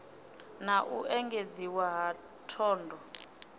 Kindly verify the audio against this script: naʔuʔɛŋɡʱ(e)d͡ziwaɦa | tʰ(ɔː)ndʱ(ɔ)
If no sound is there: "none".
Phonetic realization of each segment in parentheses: e, ɔː, ɔ

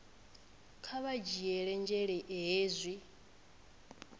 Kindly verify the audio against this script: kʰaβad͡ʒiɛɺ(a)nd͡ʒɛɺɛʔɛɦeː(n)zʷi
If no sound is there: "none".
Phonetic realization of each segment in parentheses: ɛ, none

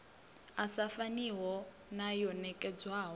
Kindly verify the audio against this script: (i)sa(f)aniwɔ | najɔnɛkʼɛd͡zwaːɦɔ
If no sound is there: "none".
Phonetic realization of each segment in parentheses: a, f

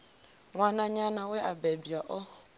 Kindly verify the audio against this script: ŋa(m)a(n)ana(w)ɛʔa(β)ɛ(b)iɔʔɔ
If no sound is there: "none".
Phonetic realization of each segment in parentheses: n, ɲ, w, b, b

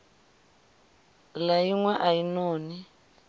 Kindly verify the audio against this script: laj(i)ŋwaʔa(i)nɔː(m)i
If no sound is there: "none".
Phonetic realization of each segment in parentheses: i, i, n

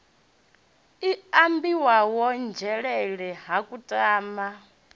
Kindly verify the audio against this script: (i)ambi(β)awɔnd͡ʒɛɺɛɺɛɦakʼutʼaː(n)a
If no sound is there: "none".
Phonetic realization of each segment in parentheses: i, w, m

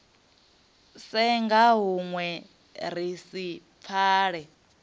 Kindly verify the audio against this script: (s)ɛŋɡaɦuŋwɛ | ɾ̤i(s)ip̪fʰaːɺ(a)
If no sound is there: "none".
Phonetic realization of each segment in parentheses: s, s, ɛ

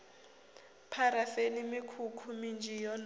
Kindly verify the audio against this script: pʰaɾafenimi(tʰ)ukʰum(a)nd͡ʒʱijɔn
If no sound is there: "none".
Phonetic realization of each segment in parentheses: kʰ, i

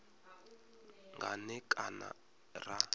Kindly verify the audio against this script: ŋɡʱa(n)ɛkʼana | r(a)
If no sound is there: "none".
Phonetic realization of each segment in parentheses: n, a

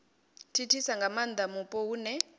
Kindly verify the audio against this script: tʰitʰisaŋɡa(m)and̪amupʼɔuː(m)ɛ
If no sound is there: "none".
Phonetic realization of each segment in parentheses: m, n

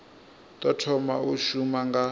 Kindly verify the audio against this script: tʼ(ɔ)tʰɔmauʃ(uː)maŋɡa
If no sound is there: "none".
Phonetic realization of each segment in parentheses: ɔ, u

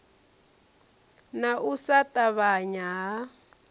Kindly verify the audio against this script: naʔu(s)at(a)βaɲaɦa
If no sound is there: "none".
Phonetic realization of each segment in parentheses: s, a

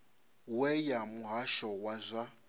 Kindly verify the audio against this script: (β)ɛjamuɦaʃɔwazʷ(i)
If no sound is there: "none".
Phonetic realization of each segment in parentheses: w, a

